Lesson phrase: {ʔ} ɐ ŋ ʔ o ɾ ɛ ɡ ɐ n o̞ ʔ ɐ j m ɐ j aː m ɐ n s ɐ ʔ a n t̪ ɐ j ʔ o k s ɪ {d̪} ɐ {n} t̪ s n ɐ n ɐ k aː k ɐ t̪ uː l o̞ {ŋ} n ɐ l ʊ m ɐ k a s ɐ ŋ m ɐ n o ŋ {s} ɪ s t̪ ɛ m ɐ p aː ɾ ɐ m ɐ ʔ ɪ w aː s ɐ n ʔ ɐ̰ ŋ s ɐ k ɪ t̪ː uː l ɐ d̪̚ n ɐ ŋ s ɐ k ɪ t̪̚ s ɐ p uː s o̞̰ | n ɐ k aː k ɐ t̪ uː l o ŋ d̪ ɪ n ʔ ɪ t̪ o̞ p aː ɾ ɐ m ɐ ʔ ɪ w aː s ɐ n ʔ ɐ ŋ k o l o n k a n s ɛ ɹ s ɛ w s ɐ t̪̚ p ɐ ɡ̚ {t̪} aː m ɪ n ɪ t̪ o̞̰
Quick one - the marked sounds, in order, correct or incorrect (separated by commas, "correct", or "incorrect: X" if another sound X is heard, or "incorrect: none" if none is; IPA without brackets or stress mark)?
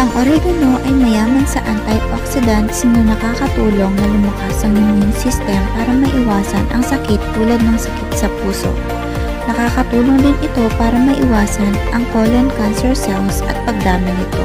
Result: correct, correct, correct, correct, correct, incorrect: d̪